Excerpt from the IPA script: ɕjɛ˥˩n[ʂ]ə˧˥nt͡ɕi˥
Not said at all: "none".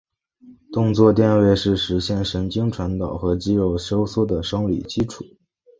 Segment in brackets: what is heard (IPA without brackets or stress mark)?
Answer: ʂ